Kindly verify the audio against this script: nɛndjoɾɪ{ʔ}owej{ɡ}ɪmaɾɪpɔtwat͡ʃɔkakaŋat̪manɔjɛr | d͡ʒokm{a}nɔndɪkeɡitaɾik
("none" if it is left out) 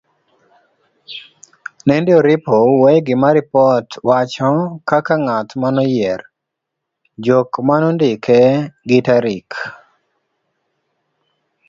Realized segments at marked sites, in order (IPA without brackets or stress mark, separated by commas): p, ɡ, a